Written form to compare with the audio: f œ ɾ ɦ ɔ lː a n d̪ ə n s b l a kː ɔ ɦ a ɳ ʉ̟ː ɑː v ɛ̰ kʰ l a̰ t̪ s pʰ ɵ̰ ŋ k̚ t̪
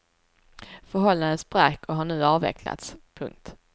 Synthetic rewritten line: f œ ɾ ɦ ɔ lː a n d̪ ə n s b ɾ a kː ɔ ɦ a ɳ ʉ̟ː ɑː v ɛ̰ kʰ l a̰ t̪ s pʰ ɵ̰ ŋ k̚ t̪